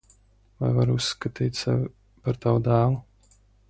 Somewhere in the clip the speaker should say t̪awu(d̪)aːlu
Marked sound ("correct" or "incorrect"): correct